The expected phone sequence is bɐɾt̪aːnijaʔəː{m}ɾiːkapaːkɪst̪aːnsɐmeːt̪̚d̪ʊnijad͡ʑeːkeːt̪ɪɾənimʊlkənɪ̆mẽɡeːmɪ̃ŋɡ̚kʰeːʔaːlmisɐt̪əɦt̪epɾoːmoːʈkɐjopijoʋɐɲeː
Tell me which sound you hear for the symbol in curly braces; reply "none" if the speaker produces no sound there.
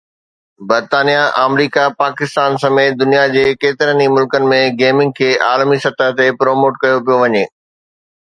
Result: m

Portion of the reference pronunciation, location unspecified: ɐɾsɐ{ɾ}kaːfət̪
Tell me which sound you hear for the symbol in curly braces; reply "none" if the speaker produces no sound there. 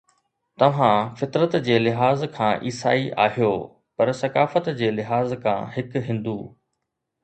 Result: none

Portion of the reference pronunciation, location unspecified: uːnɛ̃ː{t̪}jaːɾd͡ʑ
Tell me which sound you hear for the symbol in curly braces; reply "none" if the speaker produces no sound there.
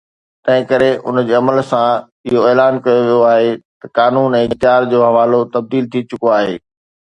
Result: t̪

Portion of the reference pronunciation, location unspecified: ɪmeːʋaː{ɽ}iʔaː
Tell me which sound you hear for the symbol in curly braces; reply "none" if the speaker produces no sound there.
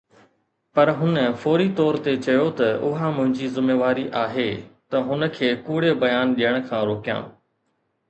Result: ɾ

